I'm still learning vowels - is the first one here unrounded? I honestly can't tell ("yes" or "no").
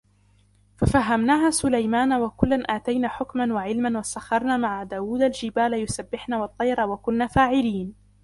yes